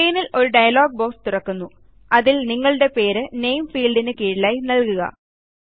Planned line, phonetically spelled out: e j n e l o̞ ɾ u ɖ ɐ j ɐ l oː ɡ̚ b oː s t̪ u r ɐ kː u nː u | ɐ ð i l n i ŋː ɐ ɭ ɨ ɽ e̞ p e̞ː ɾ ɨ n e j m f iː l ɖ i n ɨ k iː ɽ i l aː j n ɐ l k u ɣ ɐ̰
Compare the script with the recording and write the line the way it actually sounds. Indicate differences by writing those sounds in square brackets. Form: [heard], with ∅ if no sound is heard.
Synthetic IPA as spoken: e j n [i] l o̞ ɾ u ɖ ɐ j ɐ l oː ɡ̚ b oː s t̪ u r ɐ kː u nː u | ɐ ð i l n i ŋː ɐ ɭ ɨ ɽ e̞ p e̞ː ɾ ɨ n e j m f iː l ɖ i n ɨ k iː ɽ i l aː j n ɐ l k u ɣ ɐ̰

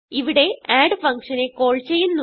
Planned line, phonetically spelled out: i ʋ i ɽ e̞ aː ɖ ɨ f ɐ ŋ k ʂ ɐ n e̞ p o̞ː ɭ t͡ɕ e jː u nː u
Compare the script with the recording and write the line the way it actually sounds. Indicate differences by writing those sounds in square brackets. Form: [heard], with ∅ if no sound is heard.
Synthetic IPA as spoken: i ʋ i ɽ e̞ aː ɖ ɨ f ɐ ŋ k ʂ ɐ n e̞ [k] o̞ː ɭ t͡ɕ e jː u nː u

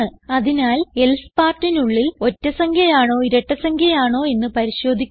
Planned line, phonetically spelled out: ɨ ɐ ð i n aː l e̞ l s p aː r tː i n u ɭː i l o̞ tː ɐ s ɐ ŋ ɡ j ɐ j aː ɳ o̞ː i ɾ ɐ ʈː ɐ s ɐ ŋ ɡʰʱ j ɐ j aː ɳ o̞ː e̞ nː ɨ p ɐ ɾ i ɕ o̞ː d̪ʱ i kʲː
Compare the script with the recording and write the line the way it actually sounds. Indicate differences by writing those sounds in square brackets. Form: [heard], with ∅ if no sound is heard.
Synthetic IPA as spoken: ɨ ɐ ð i n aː l e̞ l s p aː r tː i n u ɭː i l o̞ tː ɐ s ɐ ŋ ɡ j ɐ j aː ɳ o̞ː i ɾ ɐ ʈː ɐ s ɐ ŋ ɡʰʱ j ɐ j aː ɳ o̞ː e̞ nː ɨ p ɐ ɾ i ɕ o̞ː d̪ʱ i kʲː

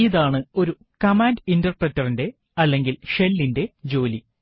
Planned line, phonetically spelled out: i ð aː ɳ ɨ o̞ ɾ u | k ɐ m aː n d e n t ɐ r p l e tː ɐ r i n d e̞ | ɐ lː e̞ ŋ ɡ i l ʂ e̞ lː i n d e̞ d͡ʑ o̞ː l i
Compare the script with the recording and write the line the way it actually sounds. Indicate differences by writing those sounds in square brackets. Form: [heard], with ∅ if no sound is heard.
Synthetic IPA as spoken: i ð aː ɳ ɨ o̞ ɾ u | k ɐ m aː n d [i] n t ɐ r p [r] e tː ɐ r i n d e̞ | ɐ lː e̞ ŋ ɡ i l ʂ e̞ lː i n d e̞ d͡ʑ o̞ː l i

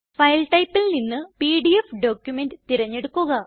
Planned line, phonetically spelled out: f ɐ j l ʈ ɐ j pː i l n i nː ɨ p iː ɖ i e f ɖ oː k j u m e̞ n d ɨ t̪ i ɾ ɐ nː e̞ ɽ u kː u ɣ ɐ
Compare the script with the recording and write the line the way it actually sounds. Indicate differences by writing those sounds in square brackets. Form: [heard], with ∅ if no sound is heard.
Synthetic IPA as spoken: f ɐ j l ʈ ɐ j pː i l n i nː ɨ p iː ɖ i e f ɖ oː k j u m e̞ n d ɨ t̪ i ɾ ɐ [ɲː] e̞ ɽ u kː u ɣ ɐ

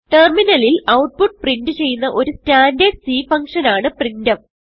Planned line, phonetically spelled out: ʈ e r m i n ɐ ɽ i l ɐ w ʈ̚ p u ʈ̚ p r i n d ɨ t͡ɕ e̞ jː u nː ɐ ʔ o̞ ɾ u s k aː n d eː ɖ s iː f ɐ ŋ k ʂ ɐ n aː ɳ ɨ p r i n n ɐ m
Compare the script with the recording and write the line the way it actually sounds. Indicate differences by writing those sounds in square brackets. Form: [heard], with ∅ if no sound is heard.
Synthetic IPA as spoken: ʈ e r m i n ɐ [l] i l ɐ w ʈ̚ p u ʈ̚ p r i n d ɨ t͡ɕ e̞ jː u nː ɐ ʔ o̞ ɾ u s [t] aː n d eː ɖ s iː f ɐ ŋ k ʂ ɐ n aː ɳ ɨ p r i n [d] ɐ m

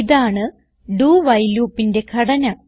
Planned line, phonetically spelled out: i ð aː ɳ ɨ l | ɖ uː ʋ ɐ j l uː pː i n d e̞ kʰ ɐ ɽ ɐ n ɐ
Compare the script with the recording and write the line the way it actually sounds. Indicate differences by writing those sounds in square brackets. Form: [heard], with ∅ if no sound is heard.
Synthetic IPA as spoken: i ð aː ɳ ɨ [∅] | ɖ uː ʋ ɐ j l uː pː i n d e̞ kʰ ɐ ɽ ɐ n ɐ

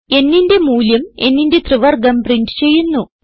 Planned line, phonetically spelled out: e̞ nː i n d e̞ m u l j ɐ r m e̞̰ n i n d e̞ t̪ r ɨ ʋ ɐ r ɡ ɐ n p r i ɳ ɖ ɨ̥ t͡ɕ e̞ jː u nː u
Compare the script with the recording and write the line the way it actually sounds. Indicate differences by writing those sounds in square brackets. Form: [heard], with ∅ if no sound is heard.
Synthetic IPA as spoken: e̞ nː i n d e̞ m [uː] l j ɐ [∅] m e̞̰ [nː] i n d e̞ t̪ r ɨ ʋ ɐ r ɡ ɐ [m] p r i ɳ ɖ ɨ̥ t͡ɕ e̞ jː u nː u

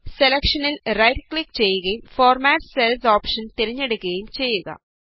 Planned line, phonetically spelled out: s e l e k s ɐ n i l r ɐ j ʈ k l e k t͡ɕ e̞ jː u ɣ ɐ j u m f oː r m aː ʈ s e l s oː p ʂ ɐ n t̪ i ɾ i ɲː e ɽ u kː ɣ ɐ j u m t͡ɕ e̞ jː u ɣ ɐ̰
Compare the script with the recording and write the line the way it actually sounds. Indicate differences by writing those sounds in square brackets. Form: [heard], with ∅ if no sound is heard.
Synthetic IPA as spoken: s e l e k [ʂ] ɐ n i l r ɐ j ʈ k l [i] k t͡ɕ e̞ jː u ɣ ɐ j u m f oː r m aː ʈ s e l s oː p ʂ ɐ n t̪ i ɾ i ɲː e ɽ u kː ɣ ɐ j u m t͡ɕ e̞ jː u ɣ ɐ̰

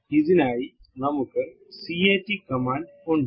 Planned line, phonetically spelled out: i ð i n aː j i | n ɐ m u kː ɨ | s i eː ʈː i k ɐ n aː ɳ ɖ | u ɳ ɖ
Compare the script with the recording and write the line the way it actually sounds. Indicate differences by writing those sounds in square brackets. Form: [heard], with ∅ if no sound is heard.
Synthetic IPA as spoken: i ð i n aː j i | n ɐ m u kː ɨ | s i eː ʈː i k ɐ [m] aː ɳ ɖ | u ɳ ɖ

